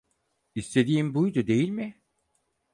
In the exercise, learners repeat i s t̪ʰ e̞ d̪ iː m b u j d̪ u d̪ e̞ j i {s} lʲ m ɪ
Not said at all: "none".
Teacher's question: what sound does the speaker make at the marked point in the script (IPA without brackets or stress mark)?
none